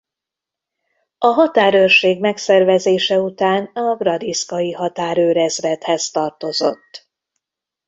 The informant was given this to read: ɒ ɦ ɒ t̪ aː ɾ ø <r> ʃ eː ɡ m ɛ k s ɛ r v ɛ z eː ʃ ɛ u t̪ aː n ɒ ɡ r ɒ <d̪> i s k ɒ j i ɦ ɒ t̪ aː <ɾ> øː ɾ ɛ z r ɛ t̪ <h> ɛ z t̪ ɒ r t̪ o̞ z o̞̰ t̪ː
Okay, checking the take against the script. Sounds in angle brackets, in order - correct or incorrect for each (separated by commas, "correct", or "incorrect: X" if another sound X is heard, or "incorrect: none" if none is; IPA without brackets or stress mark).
correct, correct, correct, correct